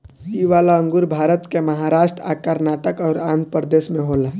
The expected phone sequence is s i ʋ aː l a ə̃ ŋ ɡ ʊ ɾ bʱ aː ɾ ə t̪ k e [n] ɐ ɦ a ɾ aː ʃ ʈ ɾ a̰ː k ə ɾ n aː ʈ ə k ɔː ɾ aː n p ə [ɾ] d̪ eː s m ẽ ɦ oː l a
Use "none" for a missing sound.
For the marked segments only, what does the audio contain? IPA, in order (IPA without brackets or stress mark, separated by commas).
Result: m, ɾ